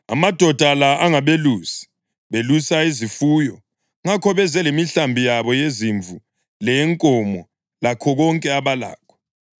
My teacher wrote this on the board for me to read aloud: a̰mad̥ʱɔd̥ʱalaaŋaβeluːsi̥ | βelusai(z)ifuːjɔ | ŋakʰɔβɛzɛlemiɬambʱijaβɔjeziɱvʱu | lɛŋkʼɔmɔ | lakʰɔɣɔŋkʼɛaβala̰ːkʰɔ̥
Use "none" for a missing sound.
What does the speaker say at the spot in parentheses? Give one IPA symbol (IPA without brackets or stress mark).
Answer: z